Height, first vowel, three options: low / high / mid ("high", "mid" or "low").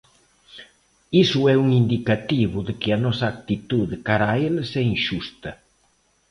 high